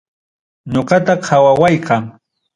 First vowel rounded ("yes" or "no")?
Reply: yes